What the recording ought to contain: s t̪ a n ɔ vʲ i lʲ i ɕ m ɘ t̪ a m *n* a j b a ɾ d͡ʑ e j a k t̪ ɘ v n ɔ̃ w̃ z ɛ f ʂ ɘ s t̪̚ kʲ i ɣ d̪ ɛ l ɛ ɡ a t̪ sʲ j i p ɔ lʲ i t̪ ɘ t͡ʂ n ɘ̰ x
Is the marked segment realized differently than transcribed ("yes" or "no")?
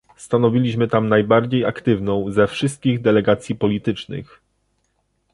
no